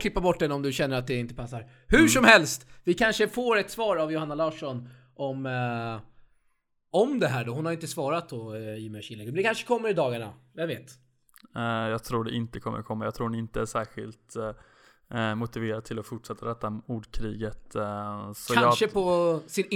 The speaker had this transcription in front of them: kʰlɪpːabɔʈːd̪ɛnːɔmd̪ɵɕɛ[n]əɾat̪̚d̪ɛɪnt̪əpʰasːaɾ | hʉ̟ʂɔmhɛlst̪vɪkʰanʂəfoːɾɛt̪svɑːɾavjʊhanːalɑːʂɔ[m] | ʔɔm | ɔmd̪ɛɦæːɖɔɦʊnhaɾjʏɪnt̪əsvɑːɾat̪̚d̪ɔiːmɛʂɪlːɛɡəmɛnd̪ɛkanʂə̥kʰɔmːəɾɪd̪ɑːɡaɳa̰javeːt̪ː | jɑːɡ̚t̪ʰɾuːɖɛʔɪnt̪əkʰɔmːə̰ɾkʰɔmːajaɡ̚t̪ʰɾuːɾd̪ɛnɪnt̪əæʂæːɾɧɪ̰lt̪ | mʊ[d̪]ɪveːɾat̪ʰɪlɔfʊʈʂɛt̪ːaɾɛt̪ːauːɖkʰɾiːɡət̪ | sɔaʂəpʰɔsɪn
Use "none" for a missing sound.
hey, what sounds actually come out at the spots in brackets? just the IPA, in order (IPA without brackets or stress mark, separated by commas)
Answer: nː, n, t̪